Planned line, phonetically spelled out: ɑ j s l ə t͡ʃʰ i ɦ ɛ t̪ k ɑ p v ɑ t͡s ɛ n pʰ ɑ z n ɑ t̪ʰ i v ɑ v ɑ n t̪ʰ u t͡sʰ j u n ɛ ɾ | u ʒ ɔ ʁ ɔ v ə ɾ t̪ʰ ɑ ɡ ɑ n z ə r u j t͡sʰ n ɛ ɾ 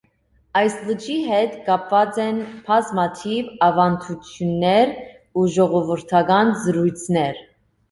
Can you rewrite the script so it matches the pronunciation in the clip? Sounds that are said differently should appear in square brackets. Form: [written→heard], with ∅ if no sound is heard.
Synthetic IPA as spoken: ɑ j s l ə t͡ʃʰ i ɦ ɛ t̪ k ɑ p v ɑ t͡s ɛ n pʰ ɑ z [n→m] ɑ t̪ʰ i v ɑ v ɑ n t̪ʰ u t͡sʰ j u [n→nː] ɛ ɾ | u ʒ ɔ ʁ ɔ v ə ɾ t̪ʰ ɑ ɡ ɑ n z ə [r→ɾ] u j t͡sʰ n ɛ ɾ